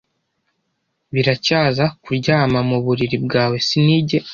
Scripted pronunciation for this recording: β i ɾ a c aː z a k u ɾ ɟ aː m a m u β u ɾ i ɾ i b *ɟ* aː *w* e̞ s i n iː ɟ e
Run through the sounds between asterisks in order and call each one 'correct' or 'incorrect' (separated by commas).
incorrect, correct